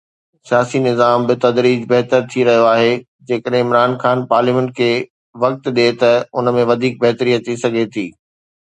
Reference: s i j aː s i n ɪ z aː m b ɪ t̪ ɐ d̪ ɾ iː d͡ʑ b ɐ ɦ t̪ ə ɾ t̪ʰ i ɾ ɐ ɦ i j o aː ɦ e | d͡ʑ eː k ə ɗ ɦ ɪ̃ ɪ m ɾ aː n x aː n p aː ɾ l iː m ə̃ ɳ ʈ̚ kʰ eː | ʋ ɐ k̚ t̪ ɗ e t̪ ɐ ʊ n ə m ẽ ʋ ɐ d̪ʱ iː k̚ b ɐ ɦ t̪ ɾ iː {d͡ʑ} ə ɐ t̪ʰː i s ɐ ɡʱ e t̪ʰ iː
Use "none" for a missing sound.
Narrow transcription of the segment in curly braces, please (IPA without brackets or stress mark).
none